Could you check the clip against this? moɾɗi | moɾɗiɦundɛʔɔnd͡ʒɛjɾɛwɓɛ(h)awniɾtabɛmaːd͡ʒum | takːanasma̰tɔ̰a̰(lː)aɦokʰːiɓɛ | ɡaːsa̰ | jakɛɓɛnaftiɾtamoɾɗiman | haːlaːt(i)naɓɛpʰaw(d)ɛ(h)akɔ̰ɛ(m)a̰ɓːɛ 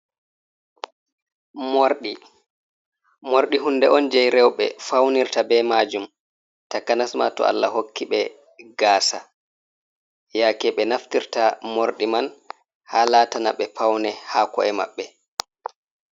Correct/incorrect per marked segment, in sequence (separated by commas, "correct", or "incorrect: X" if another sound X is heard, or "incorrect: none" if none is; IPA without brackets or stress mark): incorrect: f, correct, incorrect: a, incorrect: n, correct, correct